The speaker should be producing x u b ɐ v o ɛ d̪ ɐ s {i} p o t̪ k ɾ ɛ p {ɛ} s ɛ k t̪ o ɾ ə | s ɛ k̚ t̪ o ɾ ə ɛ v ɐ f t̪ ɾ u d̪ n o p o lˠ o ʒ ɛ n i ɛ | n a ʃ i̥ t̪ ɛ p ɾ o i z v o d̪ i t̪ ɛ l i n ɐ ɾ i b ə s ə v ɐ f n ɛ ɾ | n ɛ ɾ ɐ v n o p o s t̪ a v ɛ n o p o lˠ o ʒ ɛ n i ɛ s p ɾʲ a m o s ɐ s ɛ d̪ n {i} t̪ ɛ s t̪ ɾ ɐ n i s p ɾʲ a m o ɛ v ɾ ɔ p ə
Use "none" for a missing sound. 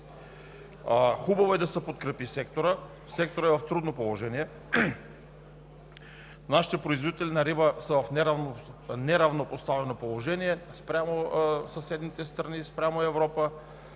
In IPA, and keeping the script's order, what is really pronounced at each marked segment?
ɛ, i, i

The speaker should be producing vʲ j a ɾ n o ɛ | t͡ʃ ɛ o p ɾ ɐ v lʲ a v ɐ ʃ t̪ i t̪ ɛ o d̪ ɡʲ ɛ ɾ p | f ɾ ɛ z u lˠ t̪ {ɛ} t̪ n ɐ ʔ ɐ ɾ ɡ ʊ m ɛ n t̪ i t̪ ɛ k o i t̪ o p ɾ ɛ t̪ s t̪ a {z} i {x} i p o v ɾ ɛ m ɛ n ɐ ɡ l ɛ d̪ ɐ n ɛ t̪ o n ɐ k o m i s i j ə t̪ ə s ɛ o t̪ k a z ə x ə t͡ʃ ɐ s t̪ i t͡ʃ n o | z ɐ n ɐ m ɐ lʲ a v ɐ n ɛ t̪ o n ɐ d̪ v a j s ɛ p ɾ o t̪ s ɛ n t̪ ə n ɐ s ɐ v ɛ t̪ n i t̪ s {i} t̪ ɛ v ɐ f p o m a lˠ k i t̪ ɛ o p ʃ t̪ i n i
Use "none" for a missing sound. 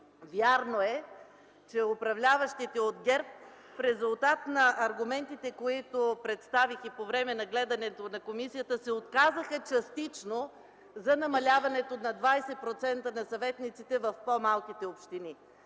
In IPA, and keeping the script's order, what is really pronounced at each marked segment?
a, v, x, i

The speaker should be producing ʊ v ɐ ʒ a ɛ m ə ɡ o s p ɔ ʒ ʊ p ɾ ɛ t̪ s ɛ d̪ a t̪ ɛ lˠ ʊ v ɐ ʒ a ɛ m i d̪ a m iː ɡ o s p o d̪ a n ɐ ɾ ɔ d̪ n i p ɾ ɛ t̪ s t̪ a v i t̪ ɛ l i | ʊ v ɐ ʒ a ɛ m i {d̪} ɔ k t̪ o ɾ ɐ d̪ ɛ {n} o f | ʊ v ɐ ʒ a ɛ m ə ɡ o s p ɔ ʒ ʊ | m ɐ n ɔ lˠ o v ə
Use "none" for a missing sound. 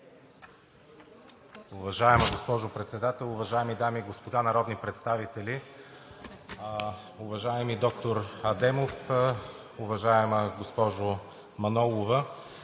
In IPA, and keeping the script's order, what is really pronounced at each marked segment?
d̪, m

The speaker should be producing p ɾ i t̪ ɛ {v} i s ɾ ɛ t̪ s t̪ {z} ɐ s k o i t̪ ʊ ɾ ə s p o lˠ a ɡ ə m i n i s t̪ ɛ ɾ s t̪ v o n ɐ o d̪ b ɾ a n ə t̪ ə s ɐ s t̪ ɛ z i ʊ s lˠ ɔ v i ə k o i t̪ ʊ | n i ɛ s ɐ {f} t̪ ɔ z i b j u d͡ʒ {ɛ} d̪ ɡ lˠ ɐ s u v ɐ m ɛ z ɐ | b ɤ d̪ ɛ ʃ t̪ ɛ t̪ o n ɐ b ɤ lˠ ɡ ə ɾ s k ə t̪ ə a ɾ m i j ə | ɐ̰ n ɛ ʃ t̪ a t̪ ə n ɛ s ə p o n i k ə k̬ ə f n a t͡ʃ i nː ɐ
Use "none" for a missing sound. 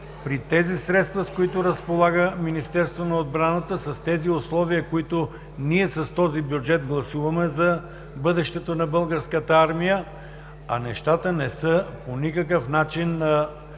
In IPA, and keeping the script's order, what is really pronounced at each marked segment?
z, v, s, ɛ

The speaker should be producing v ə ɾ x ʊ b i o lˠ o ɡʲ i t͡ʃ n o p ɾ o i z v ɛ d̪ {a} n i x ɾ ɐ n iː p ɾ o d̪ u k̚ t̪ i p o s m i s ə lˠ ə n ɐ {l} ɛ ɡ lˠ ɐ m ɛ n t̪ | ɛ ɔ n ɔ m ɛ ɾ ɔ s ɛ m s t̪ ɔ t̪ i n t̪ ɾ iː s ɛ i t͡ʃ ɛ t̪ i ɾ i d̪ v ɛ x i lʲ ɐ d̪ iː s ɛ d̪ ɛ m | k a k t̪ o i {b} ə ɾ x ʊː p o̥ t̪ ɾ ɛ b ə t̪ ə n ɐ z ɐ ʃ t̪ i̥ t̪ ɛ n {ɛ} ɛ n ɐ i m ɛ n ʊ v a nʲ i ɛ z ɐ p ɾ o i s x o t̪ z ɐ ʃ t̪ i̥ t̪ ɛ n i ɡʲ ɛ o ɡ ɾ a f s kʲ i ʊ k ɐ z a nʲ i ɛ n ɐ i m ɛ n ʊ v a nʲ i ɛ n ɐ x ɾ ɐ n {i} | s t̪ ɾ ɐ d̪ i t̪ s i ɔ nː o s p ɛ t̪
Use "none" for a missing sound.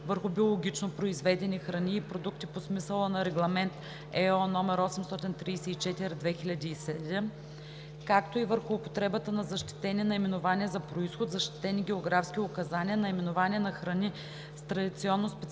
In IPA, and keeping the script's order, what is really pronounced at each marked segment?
ɛ, ɾ, v, i, i

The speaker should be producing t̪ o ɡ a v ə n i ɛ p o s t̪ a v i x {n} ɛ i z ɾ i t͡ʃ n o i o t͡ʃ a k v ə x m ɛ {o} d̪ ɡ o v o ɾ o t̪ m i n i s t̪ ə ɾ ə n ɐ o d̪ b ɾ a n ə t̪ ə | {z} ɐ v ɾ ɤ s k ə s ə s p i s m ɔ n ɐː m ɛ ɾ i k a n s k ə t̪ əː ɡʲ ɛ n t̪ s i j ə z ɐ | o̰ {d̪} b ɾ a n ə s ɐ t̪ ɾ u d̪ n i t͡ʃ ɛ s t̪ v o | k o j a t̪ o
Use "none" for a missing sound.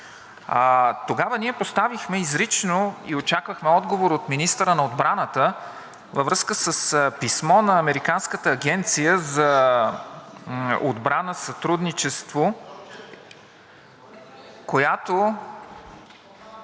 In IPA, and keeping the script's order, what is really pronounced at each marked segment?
m, ɔ, v, d̪

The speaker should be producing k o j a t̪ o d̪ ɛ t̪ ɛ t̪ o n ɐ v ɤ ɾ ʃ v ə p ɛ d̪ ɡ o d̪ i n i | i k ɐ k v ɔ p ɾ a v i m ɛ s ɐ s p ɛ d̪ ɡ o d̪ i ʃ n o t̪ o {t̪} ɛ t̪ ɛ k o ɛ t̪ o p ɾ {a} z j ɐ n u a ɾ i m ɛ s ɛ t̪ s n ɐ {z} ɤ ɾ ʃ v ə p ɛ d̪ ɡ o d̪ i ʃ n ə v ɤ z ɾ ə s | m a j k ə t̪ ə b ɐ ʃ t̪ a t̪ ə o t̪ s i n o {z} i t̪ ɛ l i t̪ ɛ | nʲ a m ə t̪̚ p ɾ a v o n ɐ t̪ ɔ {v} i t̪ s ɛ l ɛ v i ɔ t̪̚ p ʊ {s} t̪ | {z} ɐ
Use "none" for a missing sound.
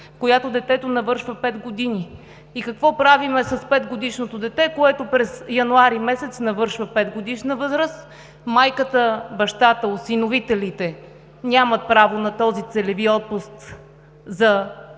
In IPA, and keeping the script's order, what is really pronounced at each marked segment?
d̪, ɛ, v, v, z, s, z

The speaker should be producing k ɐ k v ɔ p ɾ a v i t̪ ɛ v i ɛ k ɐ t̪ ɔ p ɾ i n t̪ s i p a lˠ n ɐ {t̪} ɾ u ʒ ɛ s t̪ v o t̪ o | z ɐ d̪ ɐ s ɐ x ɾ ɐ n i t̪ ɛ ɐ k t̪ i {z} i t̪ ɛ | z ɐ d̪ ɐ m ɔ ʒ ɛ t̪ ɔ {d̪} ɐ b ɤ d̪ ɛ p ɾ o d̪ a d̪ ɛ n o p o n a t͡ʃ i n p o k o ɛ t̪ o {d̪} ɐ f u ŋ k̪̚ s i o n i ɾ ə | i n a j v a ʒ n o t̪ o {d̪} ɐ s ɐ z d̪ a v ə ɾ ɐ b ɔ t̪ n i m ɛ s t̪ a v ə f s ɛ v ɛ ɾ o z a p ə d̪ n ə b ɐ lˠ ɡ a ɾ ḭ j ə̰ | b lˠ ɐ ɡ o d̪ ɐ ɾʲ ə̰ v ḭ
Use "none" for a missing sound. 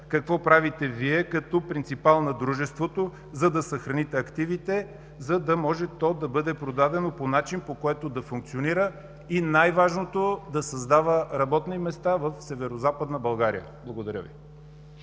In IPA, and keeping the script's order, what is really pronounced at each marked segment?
d̪, v, d̪, d̪, d̪

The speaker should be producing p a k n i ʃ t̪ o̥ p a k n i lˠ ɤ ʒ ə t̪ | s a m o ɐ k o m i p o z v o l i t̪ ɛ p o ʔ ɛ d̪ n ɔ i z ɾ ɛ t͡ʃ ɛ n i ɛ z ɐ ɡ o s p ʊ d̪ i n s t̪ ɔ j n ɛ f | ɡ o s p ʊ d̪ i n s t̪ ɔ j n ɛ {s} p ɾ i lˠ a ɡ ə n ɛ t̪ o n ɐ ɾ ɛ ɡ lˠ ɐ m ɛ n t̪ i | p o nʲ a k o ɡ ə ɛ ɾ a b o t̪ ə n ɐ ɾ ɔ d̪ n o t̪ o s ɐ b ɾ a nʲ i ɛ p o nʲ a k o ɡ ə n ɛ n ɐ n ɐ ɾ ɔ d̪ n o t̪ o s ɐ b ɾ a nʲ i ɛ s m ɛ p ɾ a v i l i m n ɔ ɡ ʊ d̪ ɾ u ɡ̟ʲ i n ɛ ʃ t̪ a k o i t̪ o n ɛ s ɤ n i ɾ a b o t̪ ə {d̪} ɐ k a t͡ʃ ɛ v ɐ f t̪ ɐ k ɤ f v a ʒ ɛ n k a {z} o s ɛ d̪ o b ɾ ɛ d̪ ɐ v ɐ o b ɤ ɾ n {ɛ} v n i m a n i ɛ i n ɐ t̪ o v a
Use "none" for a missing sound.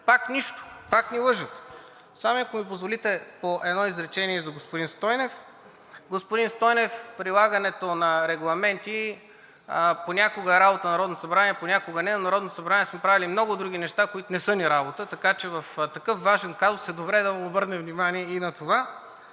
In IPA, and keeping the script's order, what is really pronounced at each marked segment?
f, t̪, z, ɛ

